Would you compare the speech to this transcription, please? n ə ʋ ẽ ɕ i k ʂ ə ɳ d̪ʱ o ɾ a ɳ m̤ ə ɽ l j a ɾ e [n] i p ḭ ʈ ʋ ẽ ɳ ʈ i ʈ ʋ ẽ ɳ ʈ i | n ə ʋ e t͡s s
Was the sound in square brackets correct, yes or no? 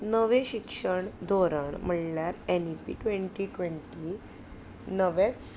yes